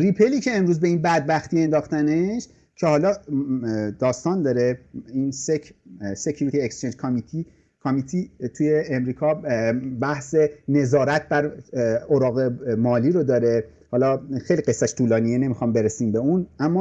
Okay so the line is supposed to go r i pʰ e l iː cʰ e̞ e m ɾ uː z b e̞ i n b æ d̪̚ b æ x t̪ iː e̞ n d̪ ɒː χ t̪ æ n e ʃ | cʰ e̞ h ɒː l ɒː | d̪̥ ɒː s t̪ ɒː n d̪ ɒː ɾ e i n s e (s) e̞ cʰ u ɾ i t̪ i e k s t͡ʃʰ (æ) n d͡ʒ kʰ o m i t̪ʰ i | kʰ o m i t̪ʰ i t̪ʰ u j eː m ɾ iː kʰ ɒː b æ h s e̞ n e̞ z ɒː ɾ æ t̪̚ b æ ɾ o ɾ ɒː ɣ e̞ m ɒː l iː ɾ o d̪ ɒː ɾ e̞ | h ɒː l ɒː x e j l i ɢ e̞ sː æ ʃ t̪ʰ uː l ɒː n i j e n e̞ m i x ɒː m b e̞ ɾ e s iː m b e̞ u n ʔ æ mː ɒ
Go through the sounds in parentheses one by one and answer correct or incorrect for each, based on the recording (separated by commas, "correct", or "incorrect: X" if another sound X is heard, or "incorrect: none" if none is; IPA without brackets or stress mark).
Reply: correct, incorrect: e